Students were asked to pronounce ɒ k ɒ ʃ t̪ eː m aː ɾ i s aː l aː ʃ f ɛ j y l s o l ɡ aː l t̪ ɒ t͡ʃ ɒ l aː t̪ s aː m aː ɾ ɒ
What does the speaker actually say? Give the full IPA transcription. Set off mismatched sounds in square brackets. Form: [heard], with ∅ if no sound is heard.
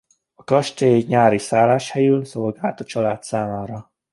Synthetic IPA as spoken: ɒ k ɒ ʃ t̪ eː [ɲ] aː ɾ i s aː l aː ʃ [h] ɛ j y l s o l ɡ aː l t̪ ɒ t͡ʃ ɒ l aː t̪ s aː m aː ɾ ɒ